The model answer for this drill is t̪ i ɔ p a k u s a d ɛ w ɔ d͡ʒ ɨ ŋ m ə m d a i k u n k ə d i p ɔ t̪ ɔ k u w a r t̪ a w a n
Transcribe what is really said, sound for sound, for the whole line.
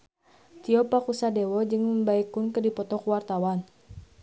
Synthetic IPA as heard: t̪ i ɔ p a k u s a d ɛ w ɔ d͡ʒ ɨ ŋ m ə m b a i k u n k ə d i p ɔ t̪ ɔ k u w a r t̪ a w a n